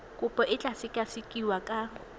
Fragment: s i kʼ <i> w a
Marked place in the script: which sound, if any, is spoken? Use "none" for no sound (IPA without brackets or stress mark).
i